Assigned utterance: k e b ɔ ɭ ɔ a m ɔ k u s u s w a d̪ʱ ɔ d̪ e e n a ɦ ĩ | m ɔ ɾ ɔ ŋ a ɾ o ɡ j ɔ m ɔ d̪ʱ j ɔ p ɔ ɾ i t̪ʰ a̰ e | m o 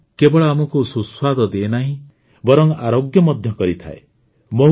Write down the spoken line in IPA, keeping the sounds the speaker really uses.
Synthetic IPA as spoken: k e b ɔ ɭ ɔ a m ɔ k u s u s w a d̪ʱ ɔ d̪ e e n a ɦ ĩ | b ɔ ɾ ɔ ŋ a ɾ o ɡ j ɔ m ɔ d̪ʱ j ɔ k ɔ ɾ i t̪ʰ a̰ e | m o